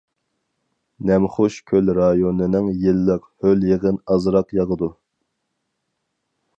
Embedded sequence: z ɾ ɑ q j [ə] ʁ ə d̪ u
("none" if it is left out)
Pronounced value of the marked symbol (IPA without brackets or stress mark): ɑ